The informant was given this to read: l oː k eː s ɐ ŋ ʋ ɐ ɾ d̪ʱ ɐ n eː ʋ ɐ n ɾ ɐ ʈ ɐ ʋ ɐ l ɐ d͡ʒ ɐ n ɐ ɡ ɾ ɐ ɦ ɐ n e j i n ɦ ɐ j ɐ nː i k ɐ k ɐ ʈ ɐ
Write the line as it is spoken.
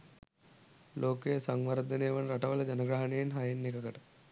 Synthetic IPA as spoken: l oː k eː s ɐ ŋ ʋ ɐ ɾ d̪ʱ ɐ n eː ʋ ɐ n ɾ ɐ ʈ ɐ ʋ ɐ l ɐ d͡ʒ ɐ n ɐ ɡ ɾ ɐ ɦ ɐ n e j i n ɦ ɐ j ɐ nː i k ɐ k ɐ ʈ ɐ